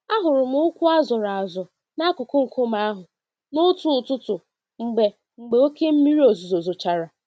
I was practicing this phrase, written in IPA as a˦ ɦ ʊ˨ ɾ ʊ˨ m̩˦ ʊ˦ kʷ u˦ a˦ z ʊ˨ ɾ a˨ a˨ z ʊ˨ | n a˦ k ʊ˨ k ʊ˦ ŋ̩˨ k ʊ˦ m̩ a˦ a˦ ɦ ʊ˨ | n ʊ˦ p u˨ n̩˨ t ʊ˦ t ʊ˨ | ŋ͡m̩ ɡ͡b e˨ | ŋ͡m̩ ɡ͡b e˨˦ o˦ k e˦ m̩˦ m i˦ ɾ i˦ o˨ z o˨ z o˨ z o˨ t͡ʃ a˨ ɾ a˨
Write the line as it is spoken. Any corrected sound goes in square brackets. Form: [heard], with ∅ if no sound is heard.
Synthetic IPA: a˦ ɦ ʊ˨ ɾ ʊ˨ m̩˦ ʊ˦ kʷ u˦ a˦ z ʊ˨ ɾ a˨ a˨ z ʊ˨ | n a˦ k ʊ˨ k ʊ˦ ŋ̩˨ k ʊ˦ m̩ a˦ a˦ ɦ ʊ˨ | n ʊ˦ [t] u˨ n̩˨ t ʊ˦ t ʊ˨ | ŋ͡m̩ ɡ͡b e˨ | ŋ͡m̩ ɡ͡b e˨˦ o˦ k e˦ m̩˦ m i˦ ɾ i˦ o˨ z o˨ z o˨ z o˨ t͡ʃ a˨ ɾ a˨